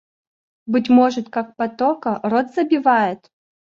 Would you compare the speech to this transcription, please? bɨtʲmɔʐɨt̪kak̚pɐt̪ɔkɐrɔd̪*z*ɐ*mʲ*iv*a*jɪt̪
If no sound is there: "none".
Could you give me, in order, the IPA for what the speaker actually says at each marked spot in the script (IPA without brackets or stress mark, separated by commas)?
z, bʲ, a